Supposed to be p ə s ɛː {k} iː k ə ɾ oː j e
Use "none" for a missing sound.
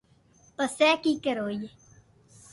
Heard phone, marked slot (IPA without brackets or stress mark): k